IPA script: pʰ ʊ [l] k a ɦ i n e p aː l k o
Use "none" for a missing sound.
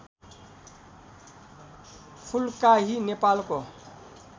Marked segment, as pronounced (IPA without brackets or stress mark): l